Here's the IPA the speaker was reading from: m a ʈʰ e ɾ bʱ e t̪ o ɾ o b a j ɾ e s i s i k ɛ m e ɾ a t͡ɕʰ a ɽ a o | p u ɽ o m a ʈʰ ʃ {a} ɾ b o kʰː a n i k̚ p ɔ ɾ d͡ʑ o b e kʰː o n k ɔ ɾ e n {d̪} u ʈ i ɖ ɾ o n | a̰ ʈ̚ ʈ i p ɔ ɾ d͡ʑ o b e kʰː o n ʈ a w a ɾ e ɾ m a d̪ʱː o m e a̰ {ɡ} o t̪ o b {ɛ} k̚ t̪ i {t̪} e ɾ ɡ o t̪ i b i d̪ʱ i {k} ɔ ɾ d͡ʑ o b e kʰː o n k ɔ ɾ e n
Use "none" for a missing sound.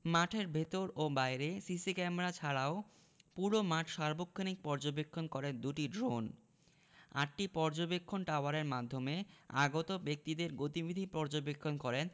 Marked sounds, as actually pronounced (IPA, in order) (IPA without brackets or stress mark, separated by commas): a, d̪, ɡ, e, d̪, p